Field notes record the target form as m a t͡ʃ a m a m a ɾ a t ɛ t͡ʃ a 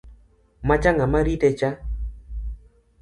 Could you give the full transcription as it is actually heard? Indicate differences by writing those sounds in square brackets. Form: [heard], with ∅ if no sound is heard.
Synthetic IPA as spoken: m a t͡ʃ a [ŋ] a m a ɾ [i] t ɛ t͡ʃ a